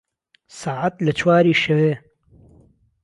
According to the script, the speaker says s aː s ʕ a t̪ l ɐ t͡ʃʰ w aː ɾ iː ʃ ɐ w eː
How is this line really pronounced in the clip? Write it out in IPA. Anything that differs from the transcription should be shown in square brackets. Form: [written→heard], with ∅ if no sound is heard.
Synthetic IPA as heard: s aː [s→∅] ʕ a t̪ l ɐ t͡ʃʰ w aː ɾ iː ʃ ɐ w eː